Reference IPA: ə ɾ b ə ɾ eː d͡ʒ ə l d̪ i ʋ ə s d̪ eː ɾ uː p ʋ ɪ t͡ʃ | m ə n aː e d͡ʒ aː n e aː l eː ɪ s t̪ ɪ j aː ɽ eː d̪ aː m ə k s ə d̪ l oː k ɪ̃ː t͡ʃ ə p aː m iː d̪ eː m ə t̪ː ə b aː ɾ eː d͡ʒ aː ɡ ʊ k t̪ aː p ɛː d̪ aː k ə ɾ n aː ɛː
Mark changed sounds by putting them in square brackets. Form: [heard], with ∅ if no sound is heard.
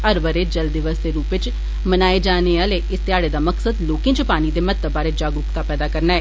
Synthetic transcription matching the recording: ə ɾ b ə ɾ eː d͡ʒ ə l d̪ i ʋ ə s d̪ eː ɾ uː p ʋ ɪ t͡ʃ | m ə n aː e d͡ʒ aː n e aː l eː ɪ s t̪ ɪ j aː ɽ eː d̪ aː m ə k s ə d̪ l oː k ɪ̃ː t͡ʃ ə p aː [n] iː d̪ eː m ə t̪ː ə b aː ɾ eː d͡ʒ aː ɡ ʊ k t̪ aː p ɛː d̪ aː k ə ɾ n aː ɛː